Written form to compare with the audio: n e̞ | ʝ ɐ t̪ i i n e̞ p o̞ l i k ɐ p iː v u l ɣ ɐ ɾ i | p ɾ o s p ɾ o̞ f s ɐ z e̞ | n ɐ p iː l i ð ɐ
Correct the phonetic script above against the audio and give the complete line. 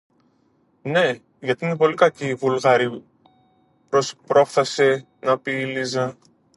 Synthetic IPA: n e̞ | ʝ ɐ t̪ i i n e̞ p o̞ l i k ɐ c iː v u l ɣ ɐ ɾ i | p ɾ o s p ɾ o̞ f θ ɐ s e̞ | n ɐ p iː l i z ɐ